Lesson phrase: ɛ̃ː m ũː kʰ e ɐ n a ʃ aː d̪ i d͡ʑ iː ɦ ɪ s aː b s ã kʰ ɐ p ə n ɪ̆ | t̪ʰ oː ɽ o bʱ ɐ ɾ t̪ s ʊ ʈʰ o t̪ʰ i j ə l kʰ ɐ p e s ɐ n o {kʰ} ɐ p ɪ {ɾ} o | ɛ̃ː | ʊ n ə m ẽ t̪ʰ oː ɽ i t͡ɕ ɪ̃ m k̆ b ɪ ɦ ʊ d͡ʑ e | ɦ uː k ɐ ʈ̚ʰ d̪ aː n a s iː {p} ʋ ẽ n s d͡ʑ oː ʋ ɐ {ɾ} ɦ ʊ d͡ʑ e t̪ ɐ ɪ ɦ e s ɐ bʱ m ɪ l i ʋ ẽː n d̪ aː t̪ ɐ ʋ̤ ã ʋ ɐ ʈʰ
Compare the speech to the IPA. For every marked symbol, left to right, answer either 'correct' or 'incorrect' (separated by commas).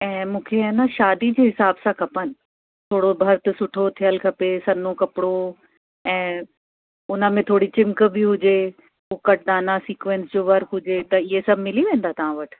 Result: incorrect, incorrect, incorrect, correct